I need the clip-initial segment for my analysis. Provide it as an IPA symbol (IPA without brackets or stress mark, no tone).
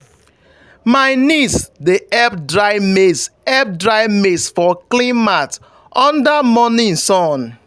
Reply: m